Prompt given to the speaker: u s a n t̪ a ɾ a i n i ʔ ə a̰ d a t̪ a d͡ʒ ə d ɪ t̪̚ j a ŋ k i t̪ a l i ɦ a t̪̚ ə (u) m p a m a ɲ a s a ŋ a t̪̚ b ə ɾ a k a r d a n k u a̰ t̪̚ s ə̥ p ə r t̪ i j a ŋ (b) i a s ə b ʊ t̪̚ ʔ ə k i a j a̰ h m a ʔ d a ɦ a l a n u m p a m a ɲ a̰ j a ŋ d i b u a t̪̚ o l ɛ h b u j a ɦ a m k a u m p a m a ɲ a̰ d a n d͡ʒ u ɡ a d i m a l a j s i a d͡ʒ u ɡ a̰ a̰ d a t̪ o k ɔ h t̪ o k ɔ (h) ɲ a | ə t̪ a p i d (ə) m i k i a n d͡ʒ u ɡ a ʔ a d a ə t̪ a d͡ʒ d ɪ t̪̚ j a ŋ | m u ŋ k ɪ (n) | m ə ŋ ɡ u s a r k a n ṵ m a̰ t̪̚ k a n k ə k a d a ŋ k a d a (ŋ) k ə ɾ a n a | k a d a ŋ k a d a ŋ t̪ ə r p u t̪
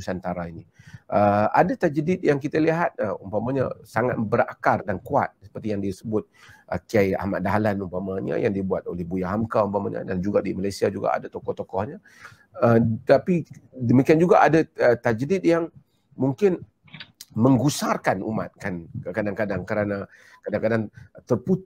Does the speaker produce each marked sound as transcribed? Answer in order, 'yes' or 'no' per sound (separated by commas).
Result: yes, no, yes, yes, yes, yes